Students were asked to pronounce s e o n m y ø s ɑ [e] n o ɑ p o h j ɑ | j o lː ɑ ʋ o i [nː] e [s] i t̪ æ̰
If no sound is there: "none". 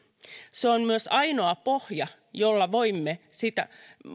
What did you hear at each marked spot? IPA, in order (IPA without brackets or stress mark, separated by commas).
i, mː, s